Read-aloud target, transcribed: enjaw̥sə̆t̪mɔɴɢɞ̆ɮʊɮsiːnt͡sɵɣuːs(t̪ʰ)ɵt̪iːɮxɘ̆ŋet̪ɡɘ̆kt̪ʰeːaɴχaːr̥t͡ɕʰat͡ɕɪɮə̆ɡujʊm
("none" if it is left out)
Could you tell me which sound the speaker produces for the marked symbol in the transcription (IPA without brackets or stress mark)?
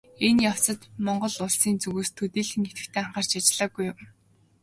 t̪ʰ